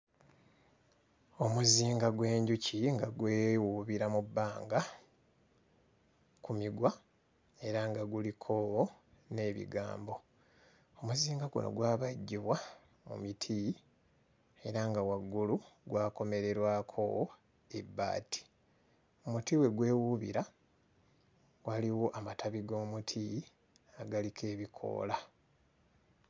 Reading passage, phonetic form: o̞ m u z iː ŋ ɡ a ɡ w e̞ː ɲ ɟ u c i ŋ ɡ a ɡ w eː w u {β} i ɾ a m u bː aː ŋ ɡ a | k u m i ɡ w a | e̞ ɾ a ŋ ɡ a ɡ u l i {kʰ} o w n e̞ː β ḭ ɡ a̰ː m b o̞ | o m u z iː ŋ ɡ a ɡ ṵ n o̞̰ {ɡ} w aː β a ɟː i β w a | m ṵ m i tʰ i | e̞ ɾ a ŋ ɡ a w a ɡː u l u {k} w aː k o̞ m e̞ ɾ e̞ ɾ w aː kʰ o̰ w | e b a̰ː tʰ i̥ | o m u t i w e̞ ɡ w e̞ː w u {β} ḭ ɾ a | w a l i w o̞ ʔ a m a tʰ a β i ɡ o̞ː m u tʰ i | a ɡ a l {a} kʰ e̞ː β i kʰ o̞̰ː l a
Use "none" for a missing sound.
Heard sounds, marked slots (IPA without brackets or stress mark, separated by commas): β, kʰ, ɡ, ɡ, β, i